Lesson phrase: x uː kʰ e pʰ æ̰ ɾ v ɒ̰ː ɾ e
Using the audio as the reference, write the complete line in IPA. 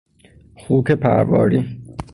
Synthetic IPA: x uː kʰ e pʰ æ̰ ɾ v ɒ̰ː ɾ i